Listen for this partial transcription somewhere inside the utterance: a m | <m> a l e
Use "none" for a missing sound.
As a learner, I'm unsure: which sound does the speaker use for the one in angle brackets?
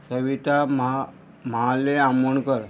m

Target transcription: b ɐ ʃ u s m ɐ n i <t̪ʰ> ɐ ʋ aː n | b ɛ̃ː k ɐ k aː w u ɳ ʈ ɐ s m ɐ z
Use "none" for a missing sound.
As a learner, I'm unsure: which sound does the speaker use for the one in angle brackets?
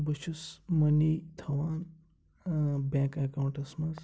t̪ʰ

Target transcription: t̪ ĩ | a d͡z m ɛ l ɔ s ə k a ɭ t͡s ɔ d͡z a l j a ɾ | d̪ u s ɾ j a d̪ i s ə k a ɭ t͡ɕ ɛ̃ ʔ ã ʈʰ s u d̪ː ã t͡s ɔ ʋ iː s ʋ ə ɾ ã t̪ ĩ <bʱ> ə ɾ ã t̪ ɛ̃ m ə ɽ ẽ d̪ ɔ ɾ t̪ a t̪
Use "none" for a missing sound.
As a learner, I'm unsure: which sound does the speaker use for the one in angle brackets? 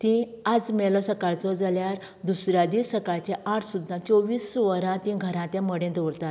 ɡʱ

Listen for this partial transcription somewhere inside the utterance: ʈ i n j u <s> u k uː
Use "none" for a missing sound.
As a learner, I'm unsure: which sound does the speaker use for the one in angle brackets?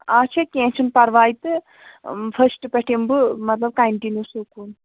s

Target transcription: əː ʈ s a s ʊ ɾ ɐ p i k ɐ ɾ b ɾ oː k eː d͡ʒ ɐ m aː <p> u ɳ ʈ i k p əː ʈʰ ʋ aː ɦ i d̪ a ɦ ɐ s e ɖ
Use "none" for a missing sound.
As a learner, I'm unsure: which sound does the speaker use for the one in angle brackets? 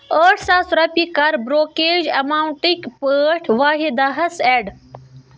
none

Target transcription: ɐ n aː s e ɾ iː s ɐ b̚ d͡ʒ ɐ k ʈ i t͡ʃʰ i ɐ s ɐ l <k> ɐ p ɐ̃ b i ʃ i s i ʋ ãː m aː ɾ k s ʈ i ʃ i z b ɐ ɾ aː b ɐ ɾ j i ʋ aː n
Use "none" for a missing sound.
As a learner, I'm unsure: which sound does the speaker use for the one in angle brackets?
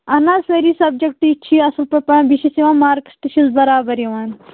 p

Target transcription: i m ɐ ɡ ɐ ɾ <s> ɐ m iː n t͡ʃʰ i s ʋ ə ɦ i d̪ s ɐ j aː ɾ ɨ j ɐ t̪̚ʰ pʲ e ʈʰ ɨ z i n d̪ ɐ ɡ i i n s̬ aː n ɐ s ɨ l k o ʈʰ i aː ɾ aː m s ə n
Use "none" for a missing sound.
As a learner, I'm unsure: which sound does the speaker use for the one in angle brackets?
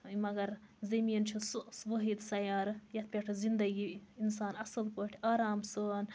z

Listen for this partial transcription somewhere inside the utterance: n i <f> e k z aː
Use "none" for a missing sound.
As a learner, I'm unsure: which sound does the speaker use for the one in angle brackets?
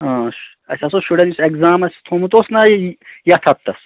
s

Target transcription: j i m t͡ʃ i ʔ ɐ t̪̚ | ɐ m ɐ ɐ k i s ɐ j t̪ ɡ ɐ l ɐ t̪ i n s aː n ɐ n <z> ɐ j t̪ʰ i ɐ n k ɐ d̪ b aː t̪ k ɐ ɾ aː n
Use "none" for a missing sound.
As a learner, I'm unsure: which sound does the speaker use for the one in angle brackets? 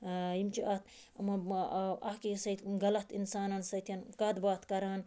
s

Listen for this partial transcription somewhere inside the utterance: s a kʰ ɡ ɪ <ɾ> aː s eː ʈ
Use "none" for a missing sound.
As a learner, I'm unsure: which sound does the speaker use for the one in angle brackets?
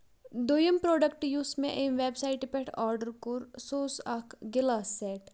l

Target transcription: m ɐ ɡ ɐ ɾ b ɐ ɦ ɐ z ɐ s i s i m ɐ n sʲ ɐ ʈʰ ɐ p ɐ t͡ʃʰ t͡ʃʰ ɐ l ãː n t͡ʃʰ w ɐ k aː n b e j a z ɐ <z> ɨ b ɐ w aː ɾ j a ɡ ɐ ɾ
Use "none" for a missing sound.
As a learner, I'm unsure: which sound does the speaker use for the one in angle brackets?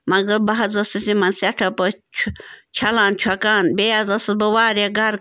s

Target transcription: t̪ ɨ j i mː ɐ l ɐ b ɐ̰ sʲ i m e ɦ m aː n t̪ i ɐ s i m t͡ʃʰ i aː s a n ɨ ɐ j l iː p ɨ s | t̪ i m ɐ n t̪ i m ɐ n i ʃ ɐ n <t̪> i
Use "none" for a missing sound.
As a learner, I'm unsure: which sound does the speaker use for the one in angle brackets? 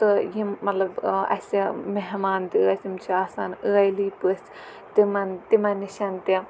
t̪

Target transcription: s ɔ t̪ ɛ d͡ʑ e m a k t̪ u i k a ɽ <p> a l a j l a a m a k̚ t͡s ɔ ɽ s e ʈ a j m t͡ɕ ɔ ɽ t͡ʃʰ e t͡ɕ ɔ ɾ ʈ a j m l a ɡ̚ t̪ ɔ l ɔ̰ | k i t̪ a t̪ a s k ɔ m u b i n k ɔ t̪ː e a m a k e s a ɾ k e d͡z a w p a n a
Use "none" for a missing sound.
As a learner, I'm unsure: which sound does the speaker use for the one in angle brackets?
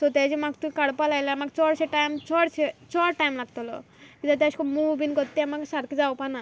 p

